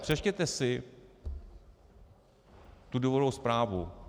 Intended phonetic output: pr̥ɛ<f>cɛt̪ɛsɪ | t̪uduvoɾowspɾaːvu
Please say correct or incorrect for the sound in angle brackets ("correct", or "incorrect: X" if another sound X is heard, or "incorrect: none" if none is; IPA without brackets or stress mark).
incorrect: ʃ